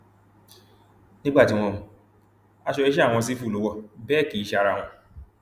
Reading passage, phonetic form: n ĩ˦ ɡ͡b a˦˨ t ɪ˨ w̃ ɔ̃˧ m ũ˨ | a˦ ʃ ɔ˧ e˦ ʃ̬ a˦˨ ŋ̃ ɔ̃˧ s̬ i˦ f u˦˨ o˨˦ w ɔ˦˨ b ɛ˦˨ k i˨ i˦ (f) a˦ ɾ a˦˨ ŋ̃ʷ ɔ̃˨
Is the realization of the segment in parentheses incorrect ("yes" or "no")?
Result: yes